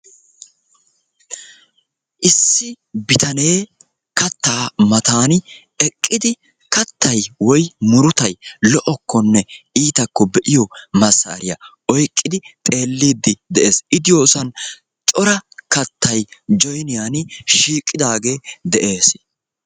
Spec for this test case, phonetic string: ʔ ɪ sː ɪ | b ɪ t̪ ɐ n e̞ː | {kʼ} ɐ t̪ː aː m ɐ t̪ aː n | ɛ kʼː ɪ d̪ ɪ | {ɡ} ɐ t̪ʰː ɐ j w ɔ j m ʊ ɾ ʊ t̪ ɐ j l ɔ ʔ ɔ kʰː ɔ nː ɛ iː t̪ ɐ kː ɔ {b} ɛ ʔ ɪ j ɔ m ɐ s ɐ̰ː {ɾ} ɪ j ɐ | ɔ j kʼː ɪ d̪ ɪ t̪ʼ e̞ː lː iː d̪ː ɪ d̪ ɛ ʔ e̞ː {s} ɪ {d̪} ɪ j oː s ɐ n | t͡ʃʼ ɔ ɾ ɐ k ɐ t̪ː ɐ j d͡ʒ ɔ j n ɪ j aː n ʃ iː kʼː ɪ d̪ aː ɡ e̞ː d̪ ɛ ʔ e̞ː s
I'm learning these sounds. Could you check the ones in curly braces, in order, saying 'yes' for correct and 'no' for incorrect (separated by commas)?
no, no, yes, yes, yes, yes